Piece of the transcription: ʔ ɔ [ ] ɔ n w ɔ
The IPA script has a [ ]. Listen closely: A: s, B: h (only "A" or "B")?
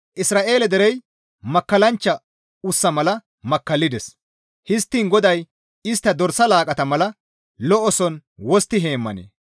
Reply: A